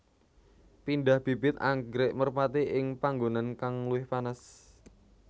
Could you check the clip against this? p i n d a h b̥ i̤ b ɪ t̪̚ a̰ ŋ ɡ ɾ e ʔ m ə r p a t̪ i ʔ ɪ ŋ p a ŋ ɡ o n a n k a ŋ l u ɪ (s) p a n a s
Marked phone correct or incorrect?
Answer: incorrect